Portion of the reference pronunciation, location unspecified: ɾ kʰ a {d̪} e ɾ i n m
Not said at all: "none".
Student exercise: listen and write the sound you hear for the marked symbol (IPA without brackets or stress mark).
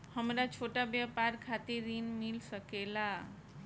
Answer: t̪